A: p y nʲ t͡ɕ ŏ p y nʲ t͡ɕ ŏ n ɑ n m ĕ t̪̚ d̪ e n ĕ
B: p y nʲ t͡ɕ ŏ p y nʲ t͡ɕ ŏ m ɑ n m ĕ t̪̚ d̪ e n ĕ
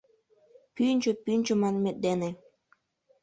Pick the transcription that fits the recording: B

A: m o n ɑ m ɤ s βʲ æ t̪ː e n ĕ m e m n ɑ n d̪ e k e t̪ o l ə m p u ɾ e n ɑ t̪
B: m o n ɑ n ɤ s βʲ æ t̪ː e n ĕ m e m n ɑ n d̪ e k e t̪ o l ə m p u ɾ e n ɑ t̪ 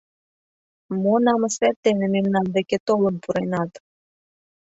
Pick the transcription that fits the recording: A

